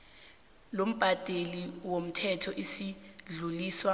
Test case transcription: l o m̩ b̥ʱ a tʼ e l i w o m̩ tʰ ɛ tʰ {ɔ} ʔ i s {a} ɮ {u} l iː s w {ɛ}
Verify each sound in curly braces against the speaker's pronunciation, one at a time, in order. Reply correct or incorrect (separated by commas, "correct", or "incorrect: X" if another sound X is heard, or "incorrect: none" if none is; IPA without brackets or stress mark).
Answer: correct, incorrect: i, correct, incorrect: a